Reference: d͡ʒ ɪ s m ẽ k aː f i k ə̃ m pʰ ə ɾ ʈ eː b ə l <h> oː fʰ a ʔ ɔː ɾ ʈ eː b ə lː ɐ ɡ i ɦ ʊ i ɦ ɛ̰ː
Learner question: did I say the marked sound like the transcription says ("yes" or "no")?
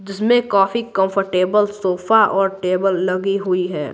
no